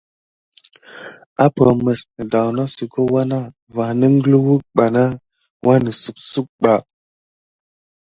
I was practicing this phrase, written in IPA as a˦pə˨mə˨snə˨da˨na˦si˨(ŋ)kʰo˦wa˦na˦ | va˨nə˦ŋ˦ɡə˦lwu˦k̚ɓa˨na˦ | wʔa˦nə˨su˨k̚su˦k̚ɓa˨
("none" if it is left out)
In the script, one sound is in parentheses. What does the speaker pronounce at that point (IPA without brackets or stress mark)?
none